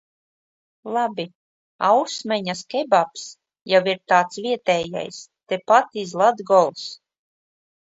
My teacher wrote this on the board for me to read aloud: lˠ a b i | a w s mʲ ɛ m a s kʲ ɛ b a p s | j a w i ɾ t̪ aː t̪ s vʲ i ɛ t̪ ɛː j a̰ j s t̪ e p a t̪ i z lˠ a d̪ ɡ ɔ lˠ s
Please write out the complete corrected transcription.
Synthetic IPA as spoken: lˠ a b i | a w s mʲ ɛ ɲ a s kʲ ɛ b a p s | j a w i ɾ t̪ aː t̪ s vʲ i ɛ t̪ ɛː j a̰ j s t̪ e p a t̪ i z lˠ a d̪ ɡ ɔ lˠ s